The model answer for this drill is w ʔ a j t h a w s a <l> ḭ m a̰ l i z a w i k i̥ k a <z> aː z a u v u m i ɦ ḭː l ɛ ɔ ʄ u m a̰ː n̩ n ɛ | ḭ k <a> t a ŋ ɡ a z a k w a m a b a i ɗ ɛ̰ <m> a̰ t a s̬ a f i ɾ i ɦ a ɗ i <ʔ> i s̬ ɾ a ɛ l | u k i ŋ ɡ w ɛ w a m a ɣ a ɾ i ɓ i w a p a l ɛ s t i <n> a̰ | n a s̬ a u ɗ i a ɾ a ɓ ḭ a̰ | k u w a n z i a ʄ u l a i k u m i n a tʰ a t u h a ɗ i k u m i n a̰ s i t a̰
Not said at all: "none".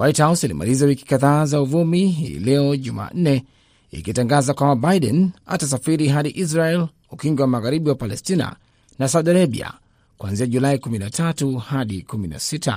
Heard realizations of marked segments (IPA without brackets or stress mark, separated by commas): l, ð, i, n, ʔ, n